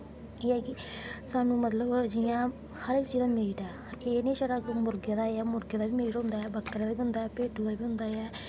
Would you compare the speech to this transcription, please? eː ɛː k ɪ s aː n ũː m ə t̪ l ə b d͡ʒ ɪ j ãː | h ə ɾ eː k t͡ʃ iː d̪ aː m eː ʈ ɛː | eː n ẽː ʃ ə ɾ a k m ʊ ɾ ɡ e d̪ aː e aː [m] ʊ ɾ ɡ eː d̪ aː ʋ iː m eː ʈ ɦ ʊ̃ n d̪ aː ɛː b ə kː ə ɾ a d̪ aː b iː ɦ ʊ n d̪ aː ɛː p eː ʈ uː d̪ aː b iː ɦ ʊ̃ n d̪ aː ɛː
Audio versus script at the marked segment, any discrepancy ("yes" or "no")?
no